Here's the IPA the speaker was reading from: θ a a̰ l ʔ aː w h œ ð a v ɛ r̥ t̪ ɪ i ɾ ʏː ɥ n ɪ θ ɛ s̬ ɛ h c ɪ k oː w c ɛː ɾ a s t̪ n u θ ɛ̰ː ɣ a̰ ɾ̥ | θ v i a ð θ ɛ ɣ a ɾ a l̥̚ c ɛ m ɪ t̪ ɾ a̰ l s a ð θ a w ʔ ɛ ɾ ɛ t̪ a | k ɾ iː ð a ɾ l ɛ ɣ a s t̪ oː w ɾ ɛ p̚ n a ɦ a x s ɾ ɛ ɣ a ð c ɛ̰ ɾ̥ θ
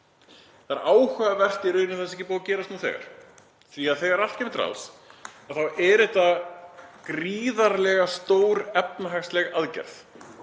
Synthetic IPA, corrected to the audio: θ a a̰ ɾ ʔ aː w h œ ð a v ɛ r̥ t̪ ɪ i ɾ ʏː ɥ n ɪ θ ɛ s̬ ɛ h c ɪ p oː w c ɛː ɾ a s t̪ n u θ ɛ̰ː ɣ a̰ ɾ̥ | θ v i a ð θ ɛ ɣ a ɾ a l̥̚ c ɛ m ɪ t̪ ɾ a̰ l s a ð θ a w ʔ ɛ ɾ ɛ t̪ a | k ɾ iː ð a ɾ l ɛ ɣ a s t̪ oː w ɾ ɛ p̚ n a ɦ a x s l ɛ ɣ a ð c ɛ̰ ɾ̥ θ